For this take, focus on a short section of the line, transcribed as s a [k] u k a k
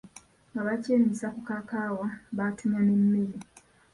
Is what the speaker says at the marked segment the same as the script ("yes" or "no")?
yes